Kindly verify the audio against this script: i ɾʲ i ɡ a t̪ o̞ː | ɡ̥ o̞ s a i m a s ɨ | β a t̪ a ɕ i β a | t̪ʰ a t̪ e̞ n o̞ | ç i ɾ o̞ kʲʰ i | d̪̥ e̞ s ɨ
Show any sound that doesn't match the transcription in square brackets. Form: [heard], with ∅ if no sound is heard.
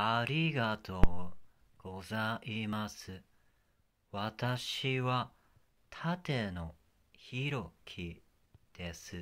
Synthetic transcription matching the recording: [a] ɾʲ i ɡ a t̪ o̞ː | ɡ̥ o̞ [z] a i m a s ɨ | β a t̪ a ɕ i β a | t̪ʰ a t̪ e̞ n o̞ | ç i ɾ o̞ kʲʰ i | d̪̥ e̞ s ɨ

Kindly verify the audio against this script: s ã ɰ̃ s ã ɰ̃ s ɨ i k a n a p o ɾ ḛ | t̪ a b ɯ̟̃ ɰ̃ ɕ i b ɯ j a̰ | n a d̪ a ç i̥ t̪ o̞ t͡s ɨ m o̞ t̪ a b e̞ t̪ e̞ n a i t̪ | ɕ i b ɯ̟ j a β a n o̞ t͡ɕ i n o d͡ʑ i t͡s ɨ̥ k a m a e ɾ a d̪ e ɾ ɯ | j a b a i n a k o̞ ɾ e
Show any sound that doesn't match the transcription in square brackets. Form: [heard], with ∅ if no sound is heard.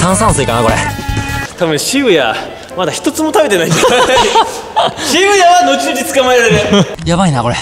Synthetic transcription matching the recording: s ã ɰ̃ s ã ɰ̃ s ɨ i k a n a [k] o ɾ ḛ | t̪ a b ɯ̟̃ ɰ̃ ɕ i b ɯ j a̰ | [m] a d̪ a ç i̥ t̪ o̞ t͡s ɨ m o̞ t̪ a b e̞ t̪ e̞ n a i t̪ | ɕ i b ɯ̟ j a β a n o̞ t͡ɕ i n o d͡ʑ i t͡s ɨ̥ k a m a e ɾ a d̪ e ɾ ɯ | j a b a i n a k o̞ ɾ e

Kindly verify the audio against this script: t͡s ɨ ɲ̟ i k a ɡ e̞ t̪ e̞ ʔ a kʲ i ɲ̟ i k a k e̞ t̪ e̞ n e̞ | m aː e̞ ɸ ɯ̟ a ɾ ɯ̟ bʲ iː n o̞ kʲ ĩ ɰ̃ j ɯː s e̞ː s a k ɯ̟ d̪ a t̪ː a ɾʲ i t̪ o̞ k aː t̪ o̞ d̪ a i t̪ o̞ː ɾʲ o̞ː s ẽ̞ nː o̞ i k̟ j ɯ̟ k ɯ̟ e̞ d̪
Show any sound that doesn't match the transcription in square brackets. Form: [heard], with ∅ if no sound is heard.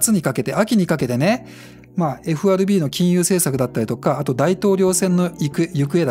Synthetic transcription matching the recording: t͡s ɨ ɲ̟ i k a [k] e̞ t̪ e̞ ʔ a kʲ i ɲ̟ i k a k e̞ t̪ e̞ n e̞ | m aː e̞ ɸ ɯ̟ a ɾ ɯ̟ bʲ iː n o̞ kʲ ĩ ɰ̃ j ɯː s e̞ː s a k ɯ̟ d̪ a t̪ː a ɾʲ i t̪ o̞ k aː t̪ o̞ d̪ a i t̪ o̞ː ɾʲ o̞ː s ẽ̞ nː o̞ i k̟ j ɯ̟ k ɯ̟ e̞ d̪

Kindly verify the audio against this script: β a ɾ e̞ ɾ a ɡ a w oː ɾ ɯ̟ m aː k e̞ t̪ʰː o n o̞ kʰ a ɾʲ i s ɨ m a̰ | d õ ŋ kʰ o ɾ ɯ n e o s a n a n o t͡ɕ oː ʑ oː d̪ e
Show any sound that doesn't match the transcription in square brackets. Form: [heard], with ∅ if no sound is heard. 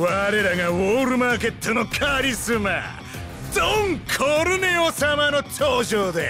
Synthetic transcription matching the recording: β a ɾ e̞ ɾ a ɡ a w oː ɾ ɯ̟ m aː k e̞ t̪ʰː o n o̞ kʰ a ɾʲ i s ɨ m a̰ | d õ ŋ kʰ o ɾ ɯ n e o s a [m] a n o t͡ɕ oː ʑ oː d̪ e

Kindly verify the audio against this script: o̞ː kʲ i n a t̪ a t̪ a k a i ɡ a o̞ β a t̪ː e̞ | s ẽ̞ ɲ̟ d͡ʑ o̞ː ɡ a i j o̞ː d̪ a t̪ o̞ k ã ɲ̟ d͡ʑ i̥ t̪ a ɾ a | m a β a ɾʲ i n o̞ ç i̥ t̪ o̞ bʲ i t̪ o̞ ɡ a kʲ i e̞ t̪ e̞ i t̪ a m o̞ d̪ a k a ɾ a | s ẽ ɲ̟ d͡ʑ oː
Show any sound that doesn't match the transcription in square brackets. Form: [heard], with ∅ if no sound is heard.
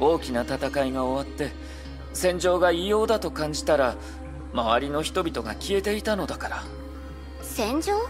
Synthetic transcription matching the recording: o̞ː kʲ i n a t̪ a t̪ a k a i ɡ a o̞ β a t̪ː e̞ | s ẽ̞ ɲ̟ d͡ʑ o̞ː ɡ a i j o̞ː d̪ a t̪ o̞ k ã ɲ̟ d͡ʑ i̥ t̪ a ɾ a | m a β a ɾʲ i n o̞ ç i̥ t̪ o̞ bʲ i t̪ o̞ ɡ a kʲ i e̞ t̪ e̞ i t̪ a [n] o̞ d̪ a k a ɾ a | s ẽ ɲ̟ d͡ʑ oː

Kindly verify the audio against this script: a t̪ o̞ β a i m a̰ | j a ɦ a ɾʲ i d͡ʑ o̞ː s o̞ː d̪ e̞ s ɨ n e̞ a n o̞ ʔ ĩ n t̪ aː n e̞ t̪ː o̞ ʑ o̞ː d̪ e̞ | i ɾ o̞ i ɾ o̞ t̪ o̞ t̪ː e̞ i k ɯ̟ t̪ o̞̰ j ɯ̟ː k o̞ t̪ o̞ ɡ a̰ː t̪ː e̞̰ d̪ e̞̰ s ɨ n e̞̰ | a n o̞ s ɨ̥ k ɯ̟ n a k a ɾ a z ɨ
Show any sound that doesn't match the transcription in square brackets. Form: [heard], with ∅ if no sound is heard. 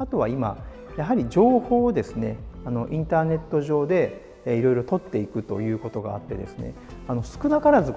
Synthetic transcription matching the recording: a t̪ o̞ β a i m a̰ | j a ɦ a ɾʲ i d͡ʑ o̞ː [h] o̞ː d̪ e̞ s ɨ n e̞ a n o̞ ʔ ĩ n t̪ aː n e̞ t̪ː o̞ ʑ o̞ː d̪ e̞ | i ɾ o̞ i ɾ o̞ t̪ o̞ t̪ː e̞ i k ɯ̟ t̪ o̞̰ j ɯ̟ː k o̞ t̪ o̞ ɡ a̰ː t̪ː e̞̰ d̪ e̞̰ s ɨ n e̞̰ | a n o̞ s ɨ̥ k ɯ̟ n a k a ɾ a z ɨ

